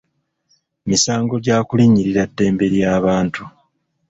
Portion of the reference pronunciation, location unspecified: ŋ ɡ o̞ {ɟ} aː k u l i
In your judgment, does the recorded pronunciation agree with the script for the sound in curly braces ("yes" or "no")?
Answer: yes